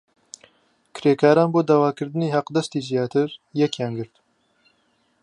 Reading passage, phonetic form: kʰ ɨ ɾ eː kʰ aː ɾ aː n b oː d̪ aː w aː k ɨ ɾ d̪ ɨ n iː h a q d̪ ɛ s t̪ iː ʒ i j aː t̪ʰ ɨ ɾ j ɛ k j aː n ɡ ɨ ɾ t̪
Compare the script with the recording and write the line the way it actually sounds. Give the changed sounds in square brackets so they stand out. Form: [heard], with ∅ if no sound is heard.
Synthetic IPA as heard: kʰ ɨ ɾ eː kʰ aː ɾ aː n b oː d̪ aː w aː k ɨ ɾ d̪ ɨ n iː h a q d̪ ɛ s t̪ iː [z] i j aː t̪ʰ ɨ ɾ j ɛ k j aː n ɡ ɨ ɾ t̪